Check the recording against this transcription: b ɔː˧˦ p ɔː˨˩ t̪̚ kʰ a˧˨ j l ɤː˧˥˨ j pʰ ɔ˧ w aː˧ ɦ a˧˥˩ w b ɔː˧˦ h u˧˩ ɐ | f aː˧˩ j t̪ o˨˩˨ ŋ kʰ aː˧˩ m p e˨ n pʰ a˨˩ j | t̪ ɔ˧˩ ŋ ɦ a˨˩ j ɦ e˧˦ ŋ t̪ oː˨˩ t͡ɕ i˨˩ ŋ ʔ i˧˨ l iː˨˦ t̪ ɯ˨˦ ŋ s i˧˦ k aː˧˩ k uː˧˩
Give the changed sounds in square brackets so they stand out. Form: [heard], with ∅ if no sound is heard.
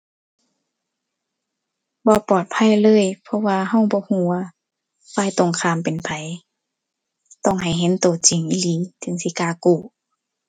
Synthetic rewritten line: b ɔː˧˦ p ɔː˨˩ t̪̚ [pʰ] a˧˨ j l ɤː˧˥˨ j pʰ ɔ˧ w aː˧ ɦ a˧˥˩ w b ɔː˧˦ h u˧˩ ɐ | f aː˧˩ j t̪ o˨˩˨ ŋ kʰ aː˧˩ m p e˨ n pʰ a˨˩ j | t̪ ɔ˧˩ ŋ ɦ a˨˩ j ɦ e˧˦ [n] t̪ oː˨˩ t͡ɕ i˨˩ ŋ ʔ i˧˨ l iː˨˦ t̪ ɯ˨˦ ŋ s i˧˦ k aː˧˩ k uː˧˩